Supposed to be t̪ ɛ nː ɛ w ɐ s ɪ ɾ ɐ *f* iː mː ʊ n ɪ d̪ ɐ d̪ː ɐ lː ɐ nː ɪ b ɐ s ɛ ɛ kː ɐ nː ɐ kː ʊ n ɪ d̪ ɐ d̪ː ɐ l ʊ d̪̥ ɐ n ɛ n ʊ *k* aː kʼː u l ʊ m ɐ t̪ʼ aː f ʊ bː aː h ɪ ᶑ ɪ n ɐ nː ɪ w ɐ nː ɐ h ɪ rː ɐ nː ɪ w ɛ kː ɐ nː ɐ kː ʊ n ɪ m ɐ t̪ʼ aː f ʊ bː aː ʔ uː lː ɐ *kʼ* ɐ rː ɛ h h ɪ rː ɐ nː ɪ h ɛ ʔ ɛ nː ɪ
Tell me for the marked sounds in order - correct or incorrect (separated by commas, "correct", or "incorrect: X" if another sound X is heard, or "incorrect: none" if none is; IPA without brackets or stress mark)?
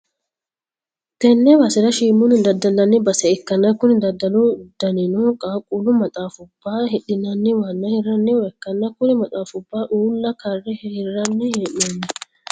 incorrect: ʃ, incorrect: kʼ, incorrect: k